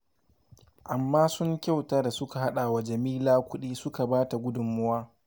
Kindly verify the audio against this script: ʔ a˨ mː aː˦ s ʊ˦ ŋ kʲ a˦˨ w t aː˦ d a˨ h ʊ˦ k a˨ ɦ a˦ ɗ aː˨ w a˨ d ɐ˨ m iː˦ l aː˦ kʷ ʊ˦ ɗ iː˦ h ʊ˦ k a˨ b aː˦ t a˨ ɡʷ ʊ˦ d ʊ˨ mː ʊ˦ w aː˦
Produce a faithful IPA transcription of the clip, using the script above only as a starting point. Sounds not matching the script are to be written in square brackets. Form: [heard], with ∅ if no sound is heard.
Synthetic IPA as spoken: ʔ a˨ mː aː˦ s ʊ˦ ŋ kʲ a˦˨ w t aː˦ d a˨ [s] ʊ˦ k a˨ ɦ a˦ ɗ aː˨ w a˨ [d͡ʒ] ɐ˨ m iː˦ l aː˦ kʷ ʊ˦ ɗ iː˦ [s] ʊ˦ k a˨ b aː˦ t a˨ ɡʷ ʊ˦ d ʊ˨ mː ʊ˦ w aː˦

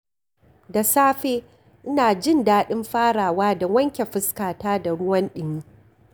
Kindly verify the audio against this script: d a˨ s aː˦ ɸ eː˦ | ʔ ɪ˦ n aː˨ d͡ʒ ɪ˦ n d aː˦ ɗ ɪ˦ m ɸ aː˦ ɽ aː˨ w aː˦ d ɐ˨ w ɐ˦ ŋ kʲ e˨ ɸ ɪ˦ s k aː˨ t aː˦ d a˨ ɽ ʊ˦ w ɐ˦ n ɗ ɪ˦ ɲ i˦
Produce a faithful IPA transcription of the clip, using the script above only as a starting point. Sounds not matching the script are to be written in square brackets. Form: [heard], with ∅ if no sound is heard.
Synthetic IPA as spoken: d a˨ s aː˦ ɸ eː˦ | ʔ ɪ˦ n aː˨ d͡ʒ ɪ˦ n d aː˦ ɗ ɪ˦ m ɸ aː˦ ɽ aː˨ w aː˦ d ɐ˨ w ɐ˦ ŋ kʲ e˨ ɸ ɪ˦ s k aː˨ t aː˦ d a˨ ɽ ʊ˦ w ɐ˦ n ɗ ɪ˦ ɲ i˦

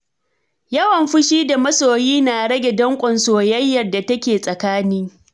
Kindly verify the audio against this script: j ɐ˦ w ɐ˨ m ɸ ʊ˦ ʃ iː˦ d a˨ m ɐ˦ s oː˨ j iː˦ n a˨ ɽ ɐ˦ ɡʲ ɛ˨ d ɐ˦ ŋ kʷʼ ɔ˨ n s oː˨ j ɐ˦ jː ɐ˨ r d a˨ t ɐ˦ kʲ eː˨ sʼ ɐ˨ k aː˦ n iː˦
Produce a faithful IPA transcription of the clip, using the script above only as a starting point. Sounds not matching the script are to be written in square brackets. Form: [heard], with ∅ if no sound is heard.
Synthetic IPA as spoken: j ɐ˦ w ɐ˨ m ɸ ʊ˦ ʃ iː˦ d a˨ m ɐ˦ s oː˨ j iː˦ n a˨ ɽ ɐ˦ ɡʲ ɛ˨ d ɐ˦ ŋ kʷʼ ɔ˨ n s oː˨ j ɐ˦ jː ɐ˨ r d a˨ t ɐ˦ kʲ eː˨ sʼ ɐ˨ k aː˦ n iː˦

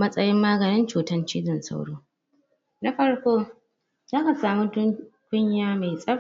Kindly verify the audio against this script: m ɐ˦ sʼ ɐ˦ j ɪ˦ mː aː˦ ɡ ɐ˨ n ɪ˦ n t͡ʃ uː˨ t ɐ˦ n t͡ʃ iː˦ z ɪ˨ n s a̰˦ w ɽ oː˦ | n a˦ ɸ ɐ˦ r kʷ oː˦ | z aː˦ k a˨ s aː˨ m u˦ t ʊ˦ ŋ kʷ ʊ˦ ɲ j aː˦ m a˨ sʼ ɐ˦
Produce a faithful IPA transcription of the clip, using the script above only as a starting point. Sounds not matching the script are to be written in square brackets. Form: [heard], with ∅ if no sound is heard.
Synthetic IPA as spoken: m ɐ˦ sʼ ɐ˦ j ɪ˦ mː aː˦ ɡ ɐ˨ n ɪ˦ n t͡ʃ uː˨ t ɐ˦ n t͡ʃ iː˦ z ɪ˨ n s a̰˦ w ɽ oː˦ | n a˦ ɸ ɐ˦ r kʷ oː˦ | z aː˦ k a˨ s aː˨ m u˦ t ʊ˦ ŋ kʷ ʊ˦ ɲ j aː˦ m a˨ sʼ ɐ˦

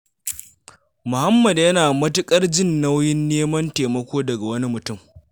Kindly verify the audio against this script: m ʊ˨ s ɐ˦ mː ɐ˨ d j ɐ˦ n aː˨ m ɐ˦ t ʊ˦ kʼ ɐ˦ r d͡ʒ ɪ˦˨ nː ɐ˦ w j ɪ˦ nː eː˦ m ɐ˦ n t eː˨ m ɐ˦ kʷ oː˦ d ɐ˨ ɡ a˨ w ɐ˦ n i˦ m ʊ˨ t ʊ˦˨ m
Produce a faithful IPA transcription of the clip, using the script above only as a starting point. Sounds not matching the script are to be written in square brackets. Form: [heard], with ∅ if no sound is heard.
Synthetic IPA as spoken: m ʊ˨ [h] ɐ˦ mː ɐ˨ d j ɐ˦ n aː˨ m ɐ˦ t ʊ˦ kʼ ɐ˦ r d͡ʒ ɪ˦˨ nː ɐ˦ w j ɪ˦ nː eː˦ m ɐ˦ n t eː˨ m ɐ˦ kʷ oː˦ d ɐ˨ ɡ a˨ w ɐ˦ n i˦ m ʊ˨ t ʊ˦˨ m

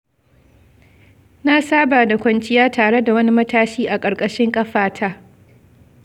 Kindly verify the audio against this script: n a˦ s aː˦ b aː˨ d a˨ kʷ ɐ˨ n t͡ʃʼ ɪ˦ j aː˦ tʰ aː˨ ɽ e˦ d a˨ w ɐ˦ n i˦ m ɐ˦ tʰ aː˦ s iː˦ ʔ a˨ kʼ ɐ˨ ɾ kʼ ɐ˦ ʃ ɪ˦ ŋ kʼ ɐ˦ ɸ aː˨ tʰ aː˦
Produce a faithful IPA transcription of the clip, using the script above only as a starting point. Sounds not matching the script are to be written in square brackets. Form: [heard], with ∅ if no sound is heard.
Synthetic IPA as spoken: n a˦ s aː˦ b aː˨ d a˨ kʷ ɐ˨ n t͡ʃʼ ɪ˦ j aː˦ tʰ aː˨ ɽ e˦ d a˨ w ɐ˦ n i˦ m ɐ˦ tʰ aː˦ [ʃ] iː˦ ʔ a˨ kʼ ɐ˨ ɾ kʼ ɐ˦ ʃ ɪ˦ ŋ kʼ ɐ˦ ɸ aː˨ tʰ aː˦

